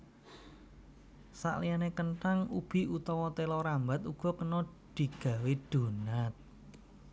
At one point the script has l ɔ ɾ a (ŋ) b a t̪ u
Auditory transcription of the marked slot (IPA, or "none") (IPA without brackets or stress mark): m